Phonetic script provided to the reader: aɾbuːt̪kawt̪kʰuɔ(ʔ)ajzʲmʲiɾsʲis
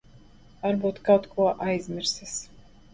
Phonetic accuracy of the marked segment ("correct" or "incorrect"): correct